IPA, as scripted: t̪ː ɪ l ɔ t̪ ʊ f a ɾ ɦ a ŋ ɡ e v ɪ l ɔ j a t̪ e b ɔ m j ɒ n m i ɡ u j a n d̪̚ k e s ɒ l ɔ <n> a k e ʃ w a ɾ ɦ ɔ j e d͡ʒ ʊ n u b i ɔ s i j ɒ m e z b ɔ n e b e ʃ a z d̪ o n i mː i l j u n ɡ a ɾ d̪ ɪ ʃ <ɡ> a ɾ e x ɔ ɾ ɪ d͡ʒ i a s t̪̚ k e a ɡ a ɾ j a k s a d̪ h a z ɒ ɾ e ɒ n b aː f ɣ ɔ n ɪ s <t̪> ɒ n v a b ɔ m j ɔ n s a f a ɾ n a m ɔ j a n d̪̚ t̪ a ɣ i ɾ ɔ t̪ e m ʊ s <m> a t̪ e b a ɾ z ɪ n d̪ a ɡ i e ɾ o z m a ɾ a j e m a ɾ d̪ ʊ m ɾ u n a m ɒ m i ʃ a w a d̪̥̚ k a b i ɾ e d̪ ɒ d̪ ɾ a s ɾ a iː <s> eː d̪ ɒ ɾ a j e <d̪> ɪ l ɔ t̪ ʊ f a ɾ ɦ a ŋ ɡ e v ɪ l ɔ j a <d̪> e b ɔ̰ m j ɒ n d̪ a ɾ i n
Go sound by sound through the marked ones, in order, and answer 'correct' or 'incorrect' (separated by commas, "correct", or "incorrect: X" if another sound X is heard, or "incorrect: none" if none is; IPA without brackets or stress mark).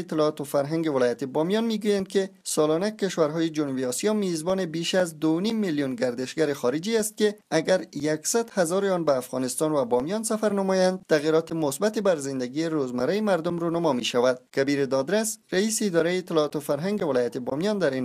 correct, correct, correct, incorrect: b, correct, incorrect: t̪, incorrect: t̪